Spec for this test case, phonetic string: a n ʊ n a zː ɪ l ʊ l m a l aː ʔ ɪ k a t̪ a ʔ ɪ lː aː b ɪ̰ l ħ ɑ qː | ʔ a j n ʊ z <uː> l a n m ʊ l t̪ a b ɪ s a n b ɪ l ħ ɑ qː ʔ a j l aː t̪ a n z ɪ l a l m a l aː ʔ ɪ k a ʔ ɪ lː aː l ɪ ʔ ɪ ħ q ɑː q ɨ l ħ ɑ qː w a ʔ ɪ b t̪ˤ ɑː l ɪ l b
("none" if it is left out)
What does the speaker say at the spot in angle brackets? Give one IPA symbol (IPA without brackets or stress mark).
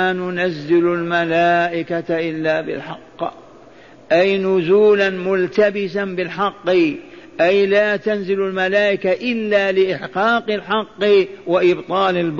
uː